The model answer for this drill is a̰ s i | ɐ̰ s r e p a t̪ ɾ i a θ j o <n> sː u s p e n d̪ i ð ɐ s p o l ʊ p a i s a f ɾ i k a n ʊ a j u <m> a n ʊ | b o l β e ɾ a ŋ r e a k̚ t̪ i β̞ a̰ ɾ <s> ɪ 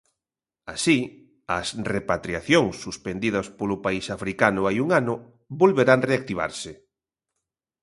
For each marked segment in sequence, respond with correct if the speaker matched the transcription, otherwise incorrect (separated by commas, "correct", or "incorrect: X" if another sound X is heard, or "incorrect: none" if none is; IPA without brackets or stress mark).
incorrect: ŋ, incorrect: ŋ, correct